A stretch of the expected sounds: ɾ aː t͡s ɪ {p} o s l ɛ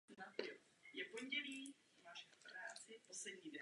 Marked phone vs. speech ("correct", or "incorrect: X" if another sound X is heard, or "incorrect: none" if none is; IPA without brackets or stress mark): correct